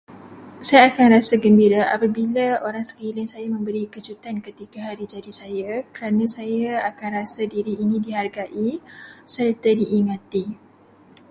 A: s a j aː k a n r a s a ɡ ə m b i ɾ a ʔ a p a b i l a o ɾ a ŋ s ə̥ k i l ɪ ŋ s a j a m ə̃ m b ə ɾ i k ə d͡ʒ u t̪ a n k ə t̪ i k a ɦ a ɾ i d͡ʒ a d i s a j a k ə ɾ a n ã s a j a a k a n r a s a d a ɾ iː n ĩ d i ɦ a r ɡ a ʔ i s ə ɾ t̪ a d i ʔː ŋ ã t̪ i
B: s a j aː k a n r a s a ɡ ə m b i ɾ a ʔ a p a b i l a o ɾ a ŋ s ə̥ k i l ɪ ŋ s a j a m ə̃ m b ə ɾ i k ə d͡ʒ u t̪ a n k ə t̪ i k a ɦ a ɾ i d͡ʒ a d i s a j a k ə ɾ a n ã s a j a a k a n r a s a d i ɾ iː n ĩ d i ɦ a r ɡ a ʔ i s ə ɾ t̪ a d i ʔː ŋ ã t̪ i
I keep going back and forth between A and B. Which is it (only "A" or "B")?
B